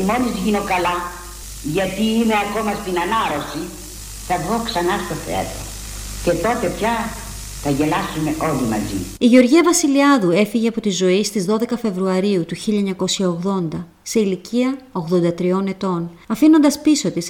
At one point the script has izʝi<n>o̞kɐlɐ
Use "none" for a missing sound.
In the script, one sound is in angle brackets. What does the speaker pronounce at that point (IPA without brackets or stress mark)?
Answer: n